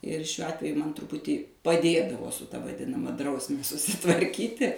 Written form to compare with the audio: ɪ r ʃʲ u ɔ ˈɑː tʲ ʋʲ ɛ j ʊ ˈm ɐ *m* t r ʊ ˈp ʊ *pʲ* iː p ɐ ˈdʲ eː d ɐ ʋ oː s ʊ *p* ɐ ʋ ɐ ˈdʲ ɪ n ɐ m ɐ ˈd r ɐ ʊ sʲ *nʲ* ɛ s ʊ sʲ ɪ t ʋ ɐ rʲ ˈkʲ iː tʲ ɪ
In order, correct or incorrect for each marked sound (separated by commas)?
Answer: incorrect, incorrect, incorrect, incorrect